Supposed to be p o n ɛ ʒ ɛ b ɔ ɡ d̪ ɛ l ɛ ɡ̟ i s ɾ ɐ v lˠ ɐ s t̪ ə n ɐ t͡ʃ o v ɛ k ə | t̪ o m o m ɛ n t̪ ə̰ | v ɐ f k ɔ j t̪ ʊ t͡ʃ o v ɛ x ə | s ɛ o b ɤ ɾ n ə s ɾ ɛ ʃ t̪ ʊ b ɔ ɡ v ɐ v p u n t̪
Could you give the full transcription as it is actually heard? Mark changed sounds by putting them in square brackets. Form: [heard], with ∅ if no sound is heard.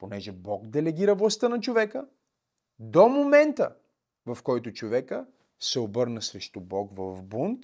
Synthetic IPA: p o n ɛ ʒ ɛ b ɔ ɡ d̪ ɛ l ɛ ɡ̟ i [∅] ɾ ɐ v lˠ ɐ s t̪ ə n ɐ t͡ʃ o v ɛ k ə | [d̪] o m o m ɛ n t̪ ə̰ | v ɐ f k ɔ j t̪ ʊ t͡ʃ o v ɛ [k] ə | s ɛ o b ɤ ɾ n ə s ɾ ɛ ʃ t̪ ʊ b ɔ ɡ v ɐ v [b] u n t̪